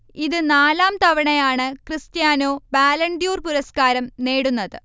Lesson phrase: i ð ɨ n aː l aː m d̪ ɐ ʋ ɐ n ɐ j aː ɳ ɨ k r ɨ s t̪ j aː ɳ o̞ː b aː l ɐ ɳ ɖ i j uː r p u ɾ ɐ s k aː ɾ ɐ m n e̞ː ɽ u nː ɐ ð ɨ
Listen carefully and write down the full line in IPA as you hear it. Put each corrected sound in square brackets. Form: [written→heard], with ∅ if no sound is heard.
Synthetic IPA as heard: i ð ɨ n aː l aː m [d̪→t̪] ɐ ʋ ɐ [n→ɳ] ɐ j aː ɳ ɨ k r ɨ s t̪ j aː [ɳ→n] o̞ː b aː l ɐ ɳ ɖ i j uː r p u ɾ ɐ s k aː ɾ ɐ m n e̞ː ɽ u nː ɐ ð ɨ